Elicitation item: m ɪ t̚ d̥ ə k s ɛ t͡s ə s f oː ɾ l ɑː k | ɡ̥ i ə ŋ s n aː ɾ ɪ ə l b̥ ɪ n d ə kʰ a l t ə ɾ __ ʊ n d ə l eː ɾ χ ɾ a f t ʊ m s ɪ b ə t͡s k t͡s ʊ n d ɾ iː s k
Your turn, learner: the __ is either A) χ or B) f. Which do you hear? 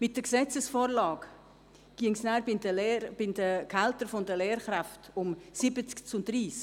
B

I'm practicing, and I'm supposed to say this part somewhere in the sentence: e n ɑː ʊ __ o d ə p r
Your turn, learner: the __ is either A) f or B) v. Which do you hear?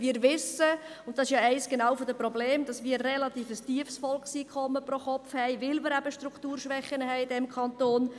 A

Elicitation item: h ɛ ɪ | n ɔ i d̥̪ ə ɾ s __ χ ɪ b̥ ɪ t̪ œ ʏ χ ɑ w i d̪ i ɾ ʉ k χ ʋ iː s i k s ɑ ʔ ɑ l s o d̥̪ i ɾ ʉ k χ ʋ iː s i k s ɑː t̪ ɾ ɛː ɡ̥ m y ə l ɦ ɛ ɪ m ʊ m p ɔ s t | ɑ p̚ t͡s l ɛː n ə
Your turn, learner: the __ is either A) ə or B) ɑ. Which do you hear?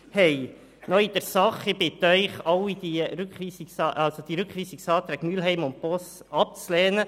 B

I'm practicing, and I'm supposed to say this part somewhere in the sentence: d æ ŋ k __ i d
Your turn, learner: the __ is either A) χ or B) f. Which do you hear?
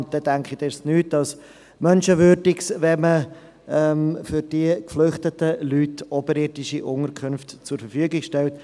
A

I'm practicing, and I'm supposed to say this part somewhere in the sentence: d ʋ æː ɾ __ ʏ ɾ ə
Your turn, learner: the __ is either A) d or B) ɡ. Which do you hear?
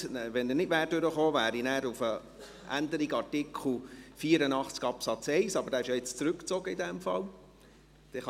A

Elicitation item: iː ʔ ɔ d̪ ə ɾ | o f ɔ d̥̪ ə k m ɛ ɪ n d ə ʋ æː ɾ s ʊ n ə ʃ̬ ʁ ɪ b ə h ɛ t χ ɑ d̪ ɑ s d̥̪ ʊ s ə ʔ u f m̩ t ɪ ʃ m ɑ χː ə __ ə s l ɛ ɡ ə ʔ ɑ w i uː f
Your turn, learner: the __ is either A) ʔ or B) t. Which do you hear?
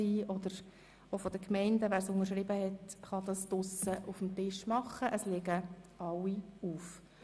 A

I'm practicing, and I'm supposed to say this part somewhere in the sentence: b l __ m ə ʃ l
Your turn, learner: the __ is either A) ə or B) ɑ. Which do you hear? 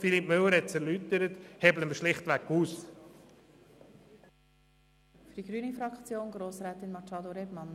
A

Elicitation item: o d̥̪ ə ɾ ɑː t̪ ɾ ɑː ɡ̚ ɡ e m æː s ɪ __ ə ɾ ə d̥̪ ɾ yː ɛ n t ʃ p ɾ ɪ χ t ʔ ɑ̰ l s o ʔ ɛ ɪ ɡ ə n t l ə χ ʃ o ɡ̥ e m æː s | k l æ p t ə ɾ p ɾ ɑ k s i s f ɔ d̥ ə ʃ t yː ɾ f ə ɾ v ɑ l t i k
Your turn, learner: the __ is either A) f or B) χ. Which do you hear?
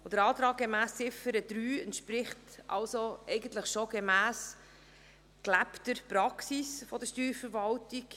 A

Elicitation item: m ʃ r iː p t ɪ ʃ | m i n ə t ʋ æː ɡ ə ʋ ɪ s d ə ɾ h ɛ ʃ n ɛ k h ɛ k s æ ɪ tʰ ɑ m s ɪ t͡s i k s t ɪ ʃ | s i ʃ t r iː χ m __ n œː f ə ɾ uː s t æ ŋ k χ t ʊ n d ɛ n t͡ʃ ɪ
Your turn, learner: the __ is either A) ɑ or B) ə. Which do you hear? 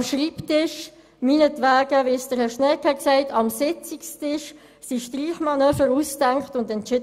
A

